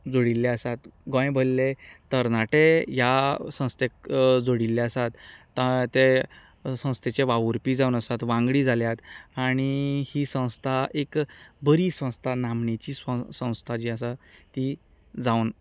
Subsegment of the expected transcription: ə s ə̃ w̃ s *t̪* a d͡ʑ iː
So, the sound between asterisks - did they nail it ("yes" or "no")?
no